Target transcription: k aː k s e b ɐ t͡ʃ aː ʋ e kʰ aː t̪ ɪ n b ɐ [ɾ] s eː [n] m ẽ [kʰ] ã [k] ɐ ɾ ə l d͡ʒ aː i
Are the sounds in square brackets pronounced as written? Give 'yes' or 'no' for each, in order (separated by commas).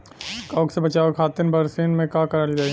yes, yes, no, yes